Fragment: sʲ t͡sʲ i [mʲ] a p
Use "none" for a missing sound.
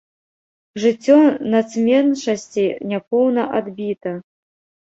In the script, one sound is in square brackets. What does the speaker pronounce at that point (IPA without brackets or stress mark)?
nʲ